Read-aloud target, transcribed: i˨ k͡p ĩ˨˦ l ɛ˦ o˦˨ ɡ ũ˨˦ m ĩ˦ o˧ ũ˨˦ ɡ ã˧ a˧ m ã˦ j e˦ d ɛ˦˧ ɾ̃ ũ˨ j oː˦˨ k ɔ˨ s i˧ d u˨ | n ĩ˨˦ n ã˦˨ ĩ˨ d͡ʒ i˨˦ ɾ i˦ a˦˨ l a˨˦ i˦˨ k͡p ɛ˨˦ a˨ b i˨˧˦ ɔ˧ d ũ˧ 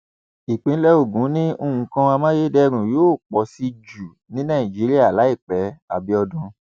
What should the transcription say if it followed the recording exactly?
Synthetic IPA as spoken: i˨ k͡p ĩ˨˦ l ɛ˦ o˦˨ ɡ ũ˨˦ n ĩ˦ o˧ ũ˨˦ k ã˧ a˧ m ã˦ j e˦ d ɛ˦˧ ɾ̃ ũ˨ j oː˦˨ k͡p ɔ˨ s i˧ d͡ʒ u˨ | n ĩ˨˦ n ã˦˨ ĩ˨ d͡ʒ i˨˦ ɾ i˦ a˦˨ l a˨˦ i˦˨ k͡p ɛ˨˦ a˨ b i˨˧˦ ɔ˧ d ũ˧

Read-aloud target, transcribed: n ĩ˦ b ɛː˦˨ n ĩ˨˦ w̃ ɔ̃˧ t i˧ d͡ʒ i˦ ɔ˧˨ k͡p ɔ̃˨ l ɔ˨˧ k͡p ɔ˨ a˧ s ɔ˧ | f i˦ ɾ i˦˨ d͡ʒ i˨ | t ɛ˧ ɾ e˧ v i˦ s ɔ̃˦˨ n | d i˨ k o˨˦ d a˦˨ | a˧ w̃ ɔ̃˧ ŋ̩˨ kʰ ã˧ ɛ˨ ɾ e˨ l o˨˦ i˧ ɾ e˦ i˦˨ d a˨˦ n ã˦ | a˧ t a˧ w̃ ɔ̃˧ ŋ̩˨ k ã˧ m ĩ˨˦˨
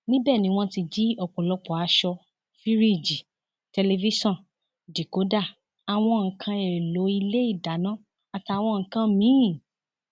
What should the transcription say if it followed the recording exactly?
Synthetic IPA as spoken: n ĩ˦ b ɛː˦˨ n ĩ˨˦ w̃ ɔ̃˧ t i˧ d͡ʒ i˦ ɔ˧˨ k͡p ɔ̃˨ l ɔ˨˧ k͡p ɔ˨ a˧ ʃ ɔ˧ | f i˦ ɾ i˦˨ d͡ʒ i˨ | t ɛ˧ l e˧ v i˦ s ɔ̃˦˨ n | d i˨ k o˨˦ d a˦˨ | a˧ w̃ ɔ̃˧ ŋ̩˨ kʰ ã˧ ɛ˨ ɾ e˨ l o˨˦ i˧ l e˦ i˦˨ d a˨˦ n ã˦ | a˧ t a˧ w̃ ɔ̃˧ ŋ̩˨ k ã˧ m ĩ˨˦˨

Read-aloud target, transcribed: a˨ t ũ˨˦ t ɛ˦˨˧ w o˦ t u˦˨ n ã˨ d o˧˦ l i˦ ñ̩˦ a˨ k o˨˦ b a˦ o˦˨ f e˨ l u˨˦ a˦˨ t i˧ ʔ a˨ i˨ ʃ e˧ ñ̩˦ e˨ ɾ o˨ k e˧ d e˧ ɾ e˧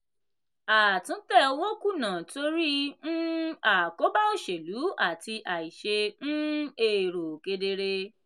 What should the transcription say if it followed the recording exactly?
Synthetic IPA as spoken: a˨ t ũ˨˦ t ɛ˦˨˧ w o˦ k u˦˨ n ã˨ t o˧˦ ɾ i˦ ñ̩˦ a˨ k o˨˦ b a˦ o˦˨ ʃ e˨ l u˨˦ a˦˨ t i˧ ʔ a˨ i˨ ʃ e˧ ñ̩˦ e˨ ɾ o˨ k e˧ d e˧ ɾ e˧

